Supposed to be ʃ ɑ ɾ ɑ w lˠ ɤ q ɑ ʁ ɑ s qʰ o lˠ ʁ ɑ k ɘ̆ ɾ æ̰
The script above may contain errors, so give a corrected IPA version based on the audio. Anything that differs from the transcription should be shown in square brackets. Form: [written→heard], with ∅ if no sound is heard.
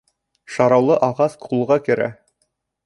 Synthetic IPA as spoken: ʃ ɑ ɾ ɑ w lˠ ɤ [q→ʔ] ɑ ʁ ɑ s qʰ [o→u] lˠ ʁ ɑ k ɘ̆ ɾ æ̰